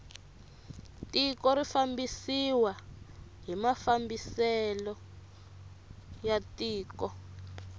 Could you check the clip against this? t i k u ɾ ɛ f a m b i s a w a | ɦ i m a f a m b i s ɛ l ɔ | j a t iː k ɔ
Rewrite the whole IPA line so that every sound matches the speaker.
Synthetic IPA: t i k ɔ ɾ i f a m b i s i w a | ɦ i m a f a m b i s ɛ l ɔ | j a t iː k ɔ